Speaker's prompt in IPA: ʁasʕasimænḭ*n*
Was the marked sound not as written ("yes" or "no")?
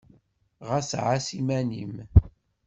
yes